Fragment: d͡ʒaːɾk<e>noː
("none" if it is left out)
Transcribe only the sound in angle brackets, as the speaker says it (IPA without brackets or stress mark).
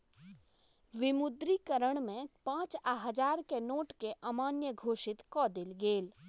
e